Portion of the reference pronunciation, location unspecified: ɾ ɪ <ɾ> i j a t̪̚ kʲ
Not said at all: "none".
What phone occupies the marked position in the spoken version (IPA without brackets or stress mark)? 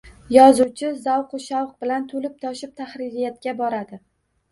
ɾ